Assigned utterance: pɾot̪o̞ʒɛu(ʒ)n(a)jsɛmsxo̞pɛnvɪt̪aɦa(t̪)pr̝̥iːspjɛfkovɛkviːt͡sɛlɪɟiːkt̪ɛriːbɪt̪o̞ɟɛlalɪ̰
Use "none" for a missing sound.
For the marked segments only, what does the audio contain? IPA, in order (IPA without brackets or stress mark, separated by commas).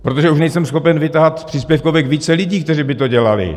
ʃ, ɛ, t̪